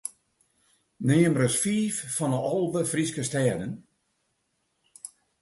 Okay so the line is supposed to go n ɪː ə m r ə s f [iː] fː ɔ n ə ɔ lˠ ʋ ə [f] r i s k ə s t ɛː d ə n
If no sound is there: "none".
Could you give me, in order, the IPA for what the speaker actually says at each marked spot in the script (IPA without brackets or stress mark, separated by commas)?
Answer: iː, f